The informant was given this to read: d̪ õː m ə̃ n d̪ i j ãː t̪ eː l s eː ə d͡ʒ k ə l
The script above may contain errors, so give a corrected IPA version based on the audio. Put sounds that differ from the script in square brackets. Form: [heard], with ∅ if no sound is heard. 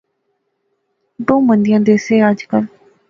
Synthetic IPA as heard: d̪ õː m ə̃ n d̪ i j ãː [d̪] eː [∅] s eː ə d͡ʒ k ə l